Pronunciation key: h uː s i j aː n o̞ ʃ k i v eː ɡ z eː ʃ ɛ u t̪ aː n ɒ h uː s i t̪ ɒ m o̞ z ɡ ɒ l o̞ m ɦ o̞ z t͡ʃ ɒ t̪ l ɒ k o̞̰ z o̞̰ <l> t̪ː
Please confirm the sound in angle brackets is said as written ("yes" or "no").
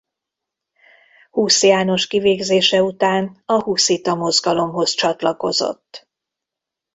no